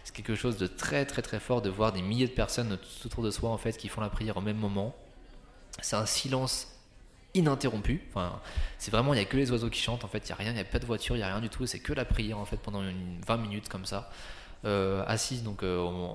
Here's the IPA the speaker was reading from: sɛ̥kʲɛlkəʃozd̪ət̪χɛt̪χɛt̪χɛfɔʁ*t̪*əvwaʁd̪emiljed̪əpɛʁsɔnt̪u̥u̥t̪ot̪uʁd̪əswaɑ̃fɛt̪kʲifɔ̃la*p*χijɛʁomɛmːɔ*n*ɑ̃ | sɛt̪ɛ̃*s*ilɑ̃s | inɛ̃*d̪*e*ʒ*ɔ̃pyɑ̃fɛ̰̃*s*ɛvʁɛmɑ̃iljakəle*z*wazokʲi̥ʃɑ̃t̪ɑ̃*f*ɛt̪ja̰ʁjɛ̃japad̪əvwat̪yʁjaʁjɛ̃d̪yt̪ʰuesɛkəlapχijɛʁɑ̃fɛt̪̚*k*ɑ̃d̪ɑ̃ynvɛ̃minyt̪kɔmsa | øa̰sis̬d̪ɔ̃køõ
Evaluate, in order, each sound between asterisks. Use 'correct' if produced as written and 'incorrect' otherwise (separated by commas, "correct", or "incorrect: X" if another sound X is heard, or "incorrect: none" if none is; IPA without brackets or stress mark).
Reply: incorrect: d̪, correct, incorrect: m, correct, incorrect: t̪, incorrect: ʁ, correct, correct, correct, incorrect: p